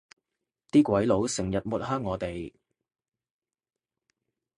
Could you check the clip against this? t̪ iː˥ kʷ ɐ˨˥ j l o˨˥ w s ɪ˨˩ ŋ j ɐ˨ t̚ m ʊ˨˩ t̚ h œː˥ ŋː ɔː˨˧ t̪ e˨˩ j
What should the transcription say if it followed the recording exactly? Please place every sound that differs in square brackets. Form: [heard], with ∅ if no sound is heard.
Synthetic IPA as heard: t̪ iː˥ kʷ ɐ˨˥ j l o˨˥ w s ɪ˨˩ ŋ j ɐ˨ t̚ m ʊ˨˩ t̚ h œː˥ ŋː ɔː˨˧ t̪ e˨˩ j

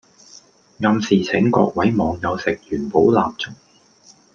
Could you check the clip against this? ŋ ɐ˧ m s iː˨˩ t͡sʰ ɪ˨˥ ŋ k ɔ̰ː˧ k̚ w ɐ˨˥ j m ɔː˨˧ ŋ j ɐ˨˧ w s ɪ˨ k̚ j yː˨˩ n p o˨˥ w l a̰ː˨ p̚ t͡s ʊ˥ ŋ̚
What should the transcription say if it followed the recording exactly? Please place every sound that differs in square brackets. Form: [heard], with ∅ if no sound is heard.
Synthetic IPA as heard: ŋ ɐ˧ m s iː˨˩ t͡sʰ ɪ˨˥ ŋ k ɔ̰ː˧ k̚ w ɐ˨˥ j m ɔː˨˧ ŋ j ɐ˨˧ w s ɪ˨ k̚ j yː˨˩ n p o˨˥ w l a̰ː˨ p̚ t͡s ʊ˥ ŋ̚

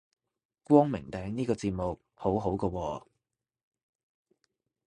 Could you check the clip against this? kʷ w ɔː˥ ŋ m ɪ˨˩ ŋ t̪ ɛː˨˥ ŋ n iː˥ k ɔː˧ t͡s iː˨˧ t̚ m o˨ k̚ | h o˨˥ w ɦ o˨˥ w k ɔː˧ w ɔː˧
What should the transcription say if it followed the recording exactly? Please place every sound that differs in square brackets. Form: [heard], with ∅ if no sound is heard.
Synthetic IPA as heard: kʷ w ɔː˥ ŋ m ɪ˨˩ ŋ t̪ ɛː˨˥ ŋ n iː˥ k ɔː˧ t͡s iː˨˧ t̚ m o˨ k̚ | h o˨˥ w ɦ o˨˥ w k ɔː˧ w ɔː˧

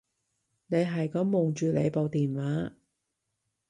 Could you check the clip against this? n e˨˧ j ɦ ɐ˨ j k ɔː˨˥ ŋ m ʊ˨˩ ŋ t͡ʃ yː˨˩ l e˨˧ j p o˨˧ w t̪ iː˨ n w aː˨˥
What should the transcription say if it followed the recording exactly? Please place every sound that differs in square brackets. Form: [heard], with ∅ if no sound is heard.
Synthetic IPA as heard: n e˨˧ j ɦ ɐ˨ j k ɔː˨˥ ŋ m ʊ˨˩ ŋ t͡ʃ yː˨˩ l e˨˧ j p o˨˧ w t̪ iː˨ n w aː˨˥

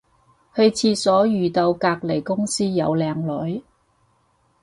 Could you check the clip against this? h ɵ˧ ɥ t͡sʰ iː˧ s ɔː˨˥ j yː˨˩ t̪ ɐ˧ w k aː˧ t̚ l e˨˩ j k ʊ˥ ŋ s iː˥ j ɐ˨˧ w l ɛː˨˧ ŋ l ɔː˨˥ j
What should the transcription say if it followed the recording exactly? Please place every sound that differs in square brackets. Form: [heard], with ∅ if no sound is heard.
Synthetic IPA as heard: h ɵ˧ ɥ t͡sʰ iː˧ s ɔː˨˥ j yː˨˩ t̪ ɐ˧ w k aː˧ [k̚] l e˨˩ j k ʊ˥ ŋ s iː˥ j ɐ˨˧ w l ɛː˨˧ ŋ l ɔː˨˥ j

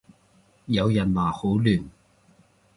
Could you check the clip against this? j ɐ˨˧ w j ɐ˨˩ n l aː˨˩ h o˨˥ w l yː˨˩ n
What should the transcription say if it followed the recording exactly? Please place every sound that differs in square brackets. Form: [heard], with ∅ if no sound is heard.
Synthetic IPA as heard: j ɐ˨˧ w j ɐ˨˩ n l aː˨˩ h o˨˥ w l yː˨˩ n

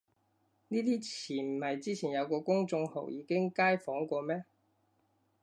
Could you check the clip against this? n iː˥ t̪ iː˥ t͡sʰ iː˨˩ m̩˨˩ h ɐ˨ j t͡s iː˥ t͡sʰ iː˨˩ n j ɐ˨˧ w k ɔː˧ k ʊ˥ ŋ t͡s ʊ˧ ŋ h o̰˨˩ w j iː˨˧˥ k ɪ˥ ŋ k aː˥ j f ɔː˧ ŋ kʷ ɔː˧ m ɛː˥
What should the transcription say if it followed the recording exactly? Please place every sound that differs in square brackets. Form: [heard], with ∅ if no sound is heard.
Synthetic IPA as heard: n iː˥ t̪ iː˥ t͡sʰ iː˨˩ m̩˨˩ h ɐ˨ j t͡s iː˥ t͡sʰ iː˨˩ n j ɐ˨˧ w k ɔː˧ k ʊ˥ ŋ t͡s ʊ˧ ŋ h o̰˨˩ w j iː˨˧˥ k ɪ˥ ŋ k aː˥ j f [ɔː˨˥] ŋ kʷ ɔː˧ m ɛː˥

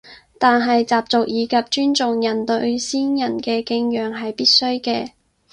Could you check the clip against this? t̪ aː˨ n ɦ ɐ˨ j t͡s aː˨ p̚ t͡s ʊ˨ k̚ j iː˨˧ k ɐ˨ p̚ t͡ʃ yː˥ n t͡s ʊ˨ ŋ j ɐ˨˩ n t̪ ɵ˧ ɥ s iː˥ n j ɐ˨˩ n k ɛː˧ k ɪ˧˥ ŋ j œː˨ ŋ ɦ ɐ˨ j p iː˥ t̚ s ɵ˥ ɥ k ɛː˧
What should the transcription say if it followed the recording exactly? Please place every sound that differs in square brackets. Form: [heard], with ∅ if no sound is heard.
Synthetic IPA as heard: t̪ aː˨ n ɦ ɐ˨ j t͡s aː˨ p̚ t͡s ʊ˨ k̚ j iː˨˧ k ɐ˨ p̚ t͡ʃ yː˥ n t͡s ʊ˨ ŋ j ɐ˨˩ n t̪ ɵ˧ ɥ s iː˥ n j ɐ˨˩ n k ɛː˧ k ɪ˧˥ ŋ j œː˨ ŋ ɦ ɐ˨ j p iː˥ t̚ s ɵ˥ ɥ k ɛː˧

